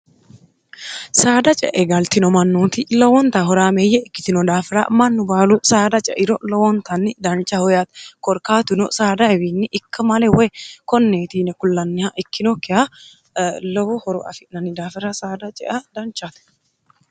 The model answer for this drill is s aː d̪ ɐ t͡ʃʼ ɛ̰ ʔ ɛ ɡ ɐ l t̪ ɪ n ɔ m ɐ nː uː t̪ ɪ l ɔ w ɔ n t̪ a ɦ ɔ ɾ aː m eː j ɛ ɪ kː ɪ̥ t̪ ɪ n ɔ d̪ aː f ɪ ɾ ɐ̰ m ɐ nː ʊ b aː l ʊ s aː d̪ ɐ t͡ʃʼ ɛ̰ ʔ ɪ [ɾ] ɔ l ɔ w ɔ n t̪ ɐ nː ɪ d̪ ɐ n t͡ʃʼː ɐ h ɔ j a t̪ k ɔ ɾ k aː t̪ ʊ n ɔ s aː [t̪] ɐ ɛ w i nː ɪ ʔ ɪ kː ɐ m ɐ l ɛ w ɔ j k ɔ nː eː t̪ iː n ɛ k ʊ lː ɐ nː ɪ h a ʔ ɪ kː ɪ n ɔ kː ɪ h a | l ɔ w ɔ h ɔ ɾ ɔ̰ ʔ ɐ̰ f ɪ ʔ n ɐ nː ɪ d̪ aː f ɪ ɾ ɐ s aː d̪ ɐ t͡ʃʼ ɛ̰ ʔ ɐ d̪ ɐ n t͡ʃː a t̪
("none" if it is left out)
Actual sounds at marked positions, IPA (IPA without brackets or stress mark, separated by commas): ɾ, d̪